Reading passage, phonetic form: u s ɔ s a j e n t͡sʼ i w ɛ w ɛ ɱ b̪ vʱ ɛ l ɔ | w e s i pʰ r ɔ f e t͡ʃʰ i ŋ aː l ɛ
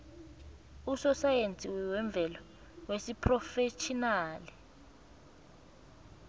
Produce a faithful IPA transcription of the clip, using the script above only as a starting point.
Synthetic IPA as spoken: u s ɔ s a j e n t͡sʼ i w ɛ w ɛ ɱ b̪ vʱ ɛ l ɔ | w e s i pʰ r ɔ f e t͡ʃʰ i n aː l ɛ